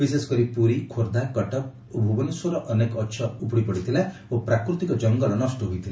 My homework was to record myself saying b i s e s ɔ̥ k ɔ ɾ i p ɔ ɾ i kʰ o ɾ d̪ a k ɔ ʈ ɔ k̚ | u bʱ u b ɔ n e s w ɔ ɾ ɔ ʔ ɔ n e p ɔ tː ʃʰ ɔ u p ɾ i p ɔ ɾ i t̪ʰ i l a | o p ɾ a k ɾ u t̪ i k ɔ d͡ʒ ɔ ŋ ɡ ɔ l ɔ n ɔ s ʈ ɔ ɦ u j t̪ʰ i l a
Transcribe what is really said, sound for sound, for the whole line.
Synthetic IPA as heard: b i s e s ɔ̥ k ɔ ɾ i p u ɾ i kʰ o ɾ d̪ a k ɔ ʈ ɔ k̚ | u bʱ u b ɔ n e s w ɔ ɾ ɔ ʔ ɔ n e k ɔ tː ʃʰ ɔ u p ɽ i p ɔ ɽ i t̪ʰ i l a | o p ɾ a k ɾ u t̪ i k ɔ d͡ʒ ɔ ŋ ɡ ɔ l ɔ n ɔ s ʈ ɔ ɦ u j t̪ʰ i l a